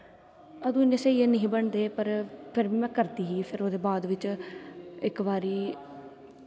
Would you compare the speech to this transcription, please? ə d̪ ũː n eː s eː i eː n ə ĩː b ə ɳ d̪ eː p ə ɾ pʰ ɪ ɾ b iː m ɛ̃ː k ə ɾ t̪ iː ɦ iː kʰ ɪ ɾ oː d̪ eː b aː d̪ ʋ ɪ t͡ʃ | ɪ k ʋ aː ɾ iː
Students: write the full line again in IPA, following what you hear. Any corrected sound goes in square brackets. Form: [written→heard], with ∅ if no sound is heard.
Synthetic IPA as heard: ə d̪ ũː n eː s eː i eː n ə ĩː b ə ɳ d̪ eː p ə ɾ pʰ ɪ ɾ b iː m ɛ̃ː k ə ɾ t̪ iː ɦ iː [kʰ→pʰ] ɪ ɾ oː d̪ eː b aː d̪ ʋ ɪ t͡ʃ | ɪ k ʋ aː ɾ iː

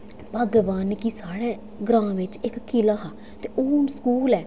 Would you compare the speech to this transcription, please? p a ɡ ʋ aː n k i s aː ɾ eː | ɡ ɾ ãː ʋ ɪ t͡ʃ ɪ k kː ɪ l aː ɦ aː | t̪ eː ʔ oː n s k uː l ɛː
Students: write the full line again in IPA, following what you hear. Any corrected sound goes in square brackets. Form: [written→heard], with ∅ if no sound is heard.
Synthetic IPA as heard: p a ɡ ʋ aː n k i s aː [ɾ→ɽ] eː | ɡ ɾ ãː ʋ ɪ t͡ʃ ɪ k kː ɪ l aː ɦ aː | t̪ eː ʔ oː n s k uː l ɛː

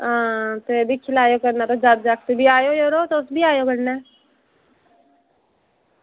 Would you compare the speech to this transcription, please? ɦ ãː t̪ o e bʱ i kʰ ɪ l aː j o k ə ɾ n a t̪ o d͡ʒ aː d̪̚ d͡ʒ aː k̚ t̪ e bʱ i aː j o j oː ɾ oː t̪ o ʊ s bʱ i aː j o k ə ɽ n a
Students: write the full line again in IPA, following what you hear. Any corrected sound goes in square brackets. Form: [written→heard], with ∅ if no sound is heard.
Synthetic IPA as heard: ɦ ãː t̪ o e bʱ i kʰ ɪ l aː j o k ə ɾ n a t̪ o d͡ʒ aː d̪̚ d͡ʒ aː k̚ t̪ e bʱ i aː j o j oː ɾ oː t̪ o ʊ s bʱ i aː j o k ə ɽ n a

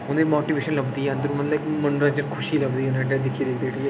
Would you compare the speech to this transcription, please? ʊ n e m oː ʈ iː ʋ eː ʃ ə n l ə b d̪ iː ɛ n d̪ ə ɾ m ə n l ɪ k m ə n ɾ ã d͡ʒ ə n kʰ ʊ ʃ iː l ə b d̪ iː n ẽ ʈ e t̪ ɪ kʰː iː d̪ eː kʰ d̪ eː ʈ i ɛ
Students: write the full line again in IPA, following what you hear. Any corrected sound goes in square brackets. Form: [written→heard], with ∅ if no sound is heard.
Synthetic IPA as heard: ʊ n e m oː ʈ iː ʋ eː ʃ ə n l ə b d̪ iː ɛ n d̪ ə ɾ m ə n l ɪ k m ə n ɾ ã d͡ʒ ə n kʰ ʊ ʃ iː l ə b d̪ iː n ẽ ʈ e [t̪→d̪] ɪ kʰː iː d̪ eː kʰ d̪ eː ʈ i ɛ

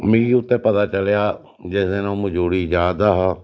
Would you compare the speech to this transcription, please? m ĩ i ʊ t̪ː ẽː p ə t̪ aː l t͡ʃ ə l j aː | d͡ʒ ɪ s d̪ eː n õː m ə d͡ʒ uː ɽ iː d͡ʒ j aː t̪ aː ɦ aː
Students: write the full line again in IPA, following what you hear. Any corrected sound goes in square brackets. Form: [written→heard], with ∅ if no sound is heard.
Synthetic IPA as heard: m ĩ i ʊ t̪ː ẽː p ə t̪ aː [l→∅] t͡ʃ ə l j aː | d͡ʒ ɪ s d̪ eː n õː m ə d͡ʒ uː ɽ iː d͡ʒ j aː [t̪→d̪] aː ɦ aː

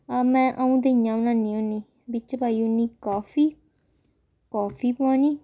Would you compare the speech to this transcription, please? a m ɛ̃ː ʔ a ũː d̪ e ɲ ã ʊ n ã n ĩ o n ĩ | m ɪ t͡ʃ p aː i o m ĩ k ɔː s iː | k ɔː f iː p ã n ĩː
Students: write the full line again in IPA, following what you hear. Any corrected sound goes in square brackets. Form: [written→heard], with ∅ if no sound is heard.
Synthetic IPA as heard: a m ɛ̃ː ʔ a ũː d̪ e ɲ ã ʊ n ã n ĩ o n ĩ | [m→b] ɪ t͡ʃ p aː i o [m→n] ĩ k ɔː [s→f] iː | k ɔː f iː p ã n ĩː

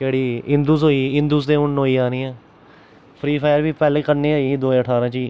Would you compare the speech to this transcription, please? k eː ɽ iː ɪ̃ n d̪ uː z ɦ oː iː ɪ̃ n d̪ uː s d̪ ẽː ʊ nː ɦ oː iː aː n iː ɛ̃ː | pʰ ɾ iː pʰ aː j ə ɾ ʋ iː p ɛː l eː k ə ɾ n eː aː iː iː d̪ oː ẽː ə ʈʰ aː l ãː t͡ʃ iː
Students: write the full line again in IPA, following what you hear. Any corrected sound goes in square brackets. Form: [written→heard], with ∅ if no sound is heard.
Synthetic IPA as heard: k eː ɽ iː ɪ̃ n d̪ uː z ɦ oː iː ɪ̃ n d̪ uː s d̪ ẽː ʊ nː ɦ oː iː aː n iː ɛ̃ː | pʰ ɾ iː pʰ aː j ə ɾ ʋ iː p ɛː l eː k ə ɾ n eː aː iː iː d̪ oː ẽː ə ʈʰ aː [l→ɾ] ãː t͡ʃ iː

